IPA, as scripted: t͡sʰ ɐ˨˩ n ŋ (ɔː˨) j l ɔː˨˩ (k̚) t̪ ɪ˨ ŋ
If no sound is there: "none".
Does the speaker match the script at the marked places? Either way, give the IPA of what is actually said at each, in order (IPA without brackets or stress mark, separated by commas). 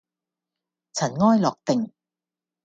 ɔː˥, k̚